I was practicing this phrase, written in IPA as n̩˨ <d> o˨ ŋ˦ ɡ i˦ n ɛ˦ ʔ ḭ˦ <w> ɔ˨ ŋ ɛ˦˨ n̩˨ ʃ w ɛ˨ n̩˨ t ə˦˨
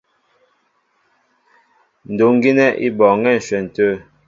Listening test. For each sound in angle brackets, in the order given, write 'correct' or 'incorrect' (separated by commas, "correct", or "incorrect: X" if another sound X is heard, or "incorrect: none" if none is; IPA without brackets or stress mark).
correct, incorrect: b